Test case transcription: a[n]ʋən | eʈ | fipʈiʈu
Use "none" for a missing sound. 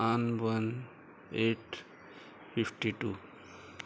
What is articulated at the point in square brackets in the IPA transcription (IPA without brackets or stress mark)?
n